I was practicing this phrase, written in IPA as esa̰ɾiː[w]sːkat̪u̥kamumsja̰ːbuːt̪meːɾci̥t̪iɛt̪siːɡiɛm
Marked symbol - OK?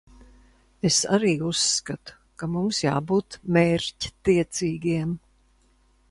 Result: no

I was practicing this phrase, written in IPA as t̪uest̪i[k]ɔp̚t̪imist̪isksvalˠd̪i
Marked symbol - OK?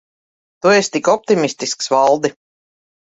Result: yes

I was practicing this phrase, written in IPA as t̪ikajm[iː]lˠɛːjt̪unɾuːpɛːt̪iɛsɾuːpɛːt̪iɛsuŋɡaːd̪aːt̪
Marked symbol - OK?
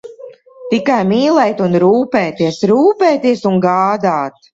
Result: yes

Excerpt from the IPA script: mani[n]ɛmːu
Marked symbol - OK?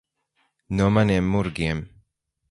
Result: no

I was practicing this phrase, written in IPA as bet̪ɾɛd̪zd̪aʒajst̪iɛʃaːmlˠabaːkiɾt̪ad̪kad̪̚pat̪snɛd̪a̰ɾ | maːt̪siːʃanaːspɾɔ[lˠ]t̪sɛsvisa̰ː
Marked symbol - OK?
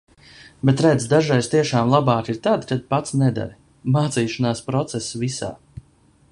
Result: no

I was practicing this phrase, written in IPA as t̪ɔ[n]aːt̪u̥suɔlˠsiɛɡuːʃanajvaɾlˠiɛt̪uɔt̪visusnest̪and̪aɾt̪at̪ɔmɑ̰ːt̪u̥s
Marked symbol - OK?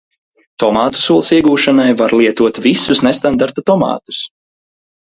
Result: no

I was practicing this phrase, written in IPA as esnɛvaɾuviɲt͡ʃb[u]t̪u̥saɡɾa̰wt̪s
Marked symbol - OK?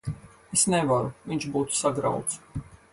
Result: no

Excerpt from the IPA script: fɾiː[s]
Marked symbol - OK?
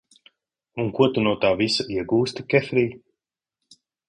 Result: no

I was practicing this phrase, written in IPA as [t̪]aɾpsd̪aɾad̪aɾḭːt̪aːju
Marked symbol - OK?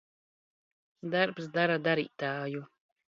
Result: no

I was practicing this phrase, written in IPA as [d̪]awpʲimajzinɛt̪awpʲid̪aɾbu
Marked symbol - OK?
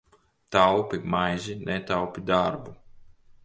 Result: no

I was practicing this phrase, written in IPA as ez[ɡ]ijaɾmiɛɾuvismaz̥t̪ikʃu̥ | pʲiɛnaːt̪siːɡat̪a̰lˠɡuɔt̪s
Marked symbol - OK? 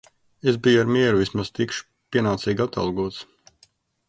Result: no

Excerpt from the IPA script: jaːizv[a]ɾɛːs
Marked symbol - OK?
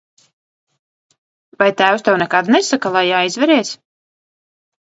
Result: no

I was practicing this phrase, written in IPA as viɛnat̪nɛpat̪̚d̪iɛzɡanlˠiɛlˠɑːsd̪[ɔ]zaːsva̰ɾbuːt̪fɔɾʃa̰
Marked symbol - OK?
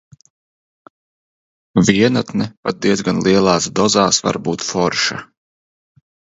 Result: yes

